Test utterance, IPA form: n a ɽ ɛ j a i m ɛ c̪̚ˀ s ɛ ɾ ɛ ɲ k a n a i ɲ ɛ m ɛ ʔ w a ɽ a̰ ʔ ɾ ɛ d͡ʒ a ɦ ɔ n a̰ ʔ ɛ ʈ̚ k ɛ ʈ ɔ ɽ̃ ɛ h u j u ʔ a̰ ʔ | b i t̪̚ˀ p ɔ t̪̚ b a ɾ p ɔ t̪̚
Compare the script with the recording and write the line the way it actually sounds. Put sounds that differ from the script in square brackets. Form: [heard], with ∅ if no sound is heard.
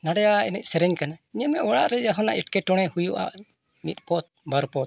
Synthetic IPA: n a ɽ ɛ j a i [n] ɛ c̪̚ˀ s ɛ ɾ ɛ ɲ k a n a i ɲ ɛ m ɛ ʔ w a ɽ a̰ ʔ ɾ ɛ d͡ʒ a ɦ ɔ n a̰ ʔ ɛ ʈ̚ k ɛ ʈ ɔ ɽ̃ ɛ h u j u ʔ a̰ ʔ | [m] i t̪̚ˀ p ɔ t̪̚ b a ɾ p ɔ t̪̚